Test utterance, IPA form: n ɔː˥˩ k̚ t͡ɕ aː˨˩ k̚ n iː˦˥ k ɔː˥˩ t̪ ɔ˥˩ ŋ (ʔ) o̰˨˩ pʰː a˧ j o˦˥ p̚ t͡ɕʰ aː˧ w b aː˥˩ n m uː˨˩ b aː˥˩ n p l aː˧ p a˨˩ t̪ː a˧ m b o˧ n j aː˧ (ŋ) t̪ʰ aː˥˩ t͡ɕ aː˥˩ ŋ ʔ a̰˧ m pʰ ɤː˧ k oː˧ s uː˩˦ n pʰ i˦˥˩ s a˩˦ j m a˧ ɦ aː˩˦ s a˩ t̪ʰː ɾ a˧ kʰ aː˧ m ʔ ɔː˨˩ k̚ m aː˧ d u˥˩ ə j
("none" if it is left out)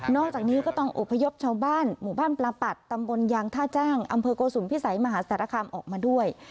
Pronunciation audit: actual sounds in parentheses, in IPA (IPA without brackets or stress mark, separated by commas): ʔ, ŋ